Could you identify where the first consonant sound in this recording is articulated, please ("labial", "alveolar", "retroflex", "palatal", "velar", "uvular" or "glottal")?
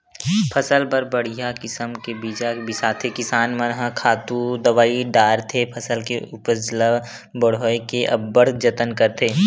labial